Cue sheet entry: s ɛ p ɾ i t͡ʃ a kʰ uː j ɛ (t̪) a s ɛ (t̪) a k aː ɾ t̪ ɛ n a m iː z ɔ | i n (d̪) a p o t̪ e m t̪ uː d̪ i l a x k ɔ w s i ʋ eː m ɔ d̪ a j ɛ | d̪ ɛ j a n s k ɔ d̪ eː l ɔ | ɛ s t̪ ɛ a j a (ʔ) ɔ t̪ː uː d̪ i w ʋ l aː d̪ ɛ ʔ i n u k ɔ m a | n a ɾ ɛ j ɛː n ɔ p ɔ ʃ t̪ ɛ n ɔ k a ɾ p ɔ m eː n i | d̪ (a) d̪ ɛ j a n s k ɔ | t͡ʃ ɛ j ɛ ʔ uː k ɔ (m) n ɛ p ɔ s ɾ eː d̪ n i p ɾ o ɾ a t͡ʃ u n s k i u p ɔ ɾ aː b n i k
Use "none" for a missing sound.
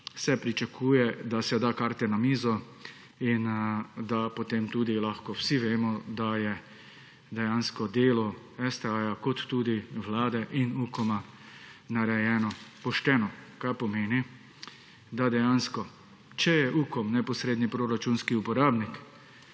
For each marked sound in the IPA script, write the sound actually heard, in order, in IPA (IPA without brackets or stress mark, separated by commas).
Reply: d̪, d̪, d̪, k, a, m